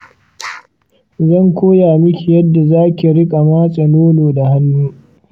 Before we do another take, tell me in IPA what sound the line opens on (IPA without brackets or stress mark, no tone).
z